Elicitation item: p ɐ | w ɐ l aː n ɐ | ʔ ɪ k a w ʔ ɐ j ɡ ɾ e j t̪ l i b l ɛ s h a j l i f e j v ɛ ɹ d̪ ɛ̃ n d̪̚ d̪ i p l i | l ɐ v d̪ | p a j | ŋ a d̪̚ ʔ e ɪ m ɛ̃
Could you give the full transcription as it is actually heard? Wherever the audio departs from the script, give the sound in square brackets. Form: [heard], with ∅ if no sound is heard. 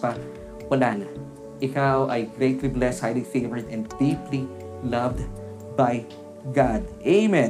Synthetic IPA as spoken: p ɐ | w ɐ l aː n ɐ | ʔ ɪ k a w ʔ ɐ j ɡ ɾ e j t̪ l i b l ɛ s h a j l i f e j v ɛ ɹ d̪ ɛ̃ n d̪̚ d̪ i p l i | l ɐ v d̪ | [b] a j | [ɡ] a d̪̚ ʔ e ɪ m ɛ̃